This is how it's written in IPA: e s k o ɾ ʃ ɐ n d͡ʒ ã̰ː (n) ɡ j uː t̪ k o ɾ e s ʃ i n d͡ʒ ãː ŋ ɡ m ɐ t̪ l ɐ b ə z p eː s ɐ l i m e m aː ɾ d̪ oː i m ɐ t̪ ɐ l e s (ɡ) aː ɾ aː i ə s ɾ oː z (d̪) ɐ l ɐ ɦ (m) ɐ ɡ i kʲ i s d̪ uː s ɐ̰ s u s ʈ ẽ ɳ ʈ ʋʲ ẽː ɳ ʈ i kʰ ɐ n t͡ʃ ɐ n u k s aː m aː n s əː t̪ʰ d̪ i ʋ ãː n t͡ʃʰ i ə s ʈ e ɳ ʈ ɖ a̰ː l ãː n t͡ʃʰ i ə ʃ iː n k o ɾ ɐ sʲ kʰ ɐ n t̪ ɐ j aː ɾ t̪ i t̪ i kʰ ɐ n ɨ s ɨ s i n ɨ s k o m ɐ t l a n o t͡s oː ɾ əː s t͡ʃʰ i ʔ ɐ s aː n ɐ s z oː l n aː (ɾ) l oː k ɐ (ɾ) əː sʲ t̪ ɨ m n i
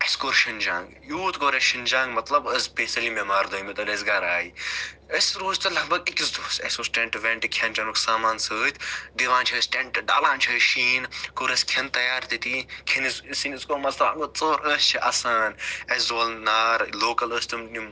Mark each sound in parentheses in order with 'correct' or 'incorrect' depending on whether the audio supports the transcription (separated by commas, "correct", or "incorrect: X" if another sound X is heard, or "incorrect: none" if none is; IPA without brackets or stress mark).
incorrect: ŋ, correct, incorrect: t̪, incorrect: b, correct, incorrect: l